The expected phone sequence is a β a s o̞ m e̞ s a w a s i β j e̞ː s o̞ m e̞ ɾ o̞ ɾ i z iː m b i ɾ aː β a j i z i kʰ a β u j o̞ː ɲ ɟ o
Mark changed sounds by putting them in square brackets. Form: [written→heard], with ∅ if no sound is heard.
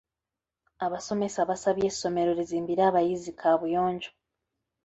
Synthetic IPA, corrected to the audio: a β a s o̞ m e̞ s a [w→β] a s [i→a] β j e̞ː s o̞ m e̞ ɾ o̞ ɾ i z iː m b i ɾ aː β a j i z i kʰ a β u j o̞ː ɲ ɟ o